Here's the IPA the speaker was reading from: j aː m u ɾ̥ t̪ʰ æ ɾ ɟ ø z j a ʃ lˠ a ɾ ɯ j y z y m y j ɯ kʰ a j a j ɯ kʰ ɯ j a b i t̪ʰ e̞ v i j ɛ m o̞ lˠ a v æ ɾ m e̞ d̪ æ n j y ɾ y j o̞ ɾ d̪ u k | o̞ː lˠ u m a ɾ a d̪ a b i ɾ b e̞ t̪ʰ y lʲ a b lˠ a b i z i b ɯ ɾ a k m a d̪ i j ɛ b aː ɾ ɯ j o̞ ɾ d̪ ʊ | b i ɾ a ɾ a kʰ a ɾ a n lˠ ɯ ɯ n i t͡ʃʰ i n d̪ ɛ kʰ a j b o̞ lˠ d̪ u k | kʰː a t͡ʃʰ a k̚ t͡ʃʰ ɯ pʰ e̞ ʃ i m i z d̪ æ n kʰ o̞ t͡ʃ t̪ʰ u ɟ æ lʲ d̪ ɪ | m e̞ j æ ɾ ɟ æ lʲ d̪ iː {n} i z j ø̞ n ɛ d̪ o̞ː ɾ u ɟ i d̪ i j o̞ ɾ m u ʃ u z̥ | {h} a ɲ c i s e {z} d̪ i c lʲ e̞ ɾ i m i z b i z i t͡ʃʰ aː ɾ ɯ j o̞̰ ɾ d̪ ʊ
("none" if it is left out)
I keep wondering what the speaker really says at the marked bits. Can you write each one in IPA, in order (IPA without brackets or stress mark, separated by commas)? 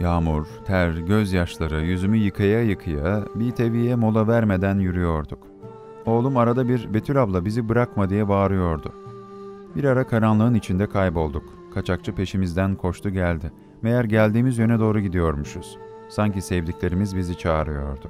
m, s, v